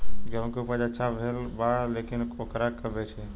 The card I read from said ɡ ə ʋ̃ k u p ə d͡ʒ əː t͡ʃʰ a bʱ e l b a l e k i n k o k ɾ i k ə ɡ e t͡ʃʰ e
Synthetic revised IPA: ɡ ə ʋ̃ k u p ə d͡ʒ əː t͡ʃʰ a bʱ e l b a l e k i n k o k ɾ a k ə b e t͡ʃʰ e

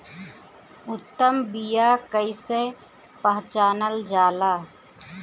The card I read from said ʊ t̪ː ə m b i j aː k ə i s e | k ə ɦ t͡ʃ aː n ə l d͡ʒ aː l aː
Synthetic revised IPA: ʊ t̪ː ə m b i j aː k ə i s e | p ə ɦ t͡ʃ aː n ə l d͡ʒ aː l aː

